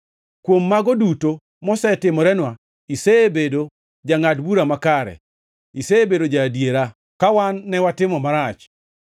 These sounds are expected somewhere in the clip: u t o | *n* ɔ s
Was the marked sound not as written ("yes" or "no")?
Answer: yes